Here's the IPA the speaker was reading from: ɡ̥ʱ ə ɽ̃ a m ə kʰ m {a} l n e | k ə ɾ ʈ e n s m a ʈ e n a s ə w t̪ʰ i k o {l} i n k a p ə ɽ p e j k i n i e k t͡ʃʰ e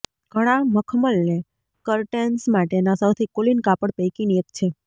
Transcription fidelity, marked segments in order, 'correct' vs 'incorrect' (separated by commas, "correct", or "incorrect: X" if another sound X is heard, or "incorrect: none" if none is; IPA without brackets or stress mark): incorrect: ə, correct